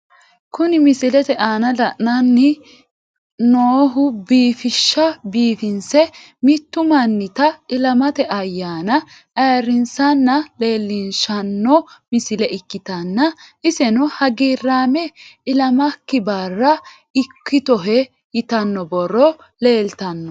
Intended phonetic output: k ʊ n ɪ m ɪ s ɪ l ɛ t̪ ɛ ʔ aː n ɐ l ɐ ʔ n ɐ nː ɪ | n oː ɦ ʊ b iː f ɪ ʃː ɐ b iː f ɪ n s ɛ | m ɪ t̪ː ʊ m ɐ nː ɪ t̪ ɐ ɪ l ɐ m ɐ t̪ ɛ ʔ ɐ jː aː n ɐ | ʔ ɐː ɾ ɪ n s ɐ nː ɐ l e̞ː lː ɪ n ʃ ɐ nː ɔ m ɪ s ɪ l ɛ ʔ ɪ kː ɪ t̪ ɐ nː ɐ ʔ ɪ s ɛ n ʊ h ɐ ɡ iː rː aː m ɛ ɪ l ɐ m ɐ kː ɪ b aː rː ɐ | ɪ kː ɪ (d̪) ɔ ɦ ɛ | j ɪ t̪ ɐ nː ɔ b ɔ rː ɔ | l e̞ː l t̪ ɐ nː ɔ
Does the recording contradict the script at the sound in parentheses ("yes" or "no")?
yes